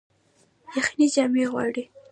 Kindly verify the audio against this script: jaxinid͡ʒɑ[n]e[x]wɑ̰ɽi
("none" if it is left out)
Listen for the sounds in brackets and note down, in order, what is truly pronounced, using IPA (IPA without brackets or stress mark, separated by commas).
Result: m, ɣ